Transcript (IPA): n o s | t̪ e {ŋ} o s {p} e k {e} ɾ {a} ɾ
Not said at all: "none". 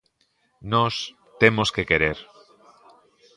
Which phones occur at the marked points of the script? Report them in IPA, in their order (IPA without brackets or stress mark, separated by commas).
m, k, e, e